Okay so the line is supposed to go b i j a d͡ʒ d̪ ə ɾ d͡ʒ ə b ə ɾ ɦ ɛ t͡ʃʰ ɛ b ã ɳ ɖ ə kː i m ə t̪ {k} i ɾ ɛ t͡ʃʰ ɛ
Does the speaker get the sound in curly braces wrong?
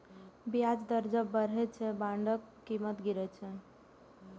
yes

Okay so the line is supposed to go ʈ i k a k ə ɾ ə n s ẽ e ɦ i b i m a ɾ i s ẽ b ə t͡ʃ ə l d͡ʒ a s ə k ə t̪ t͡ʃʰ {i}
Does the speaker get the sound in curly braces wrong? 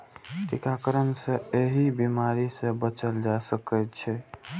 yes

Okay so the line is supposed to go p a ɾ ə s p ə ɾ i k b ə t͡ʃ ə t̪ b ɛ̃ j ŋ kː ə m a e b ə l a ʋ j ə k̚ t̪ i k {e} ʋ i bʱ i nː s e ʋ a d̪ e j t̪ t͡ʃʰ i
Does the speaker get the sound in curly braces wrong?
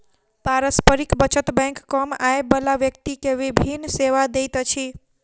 no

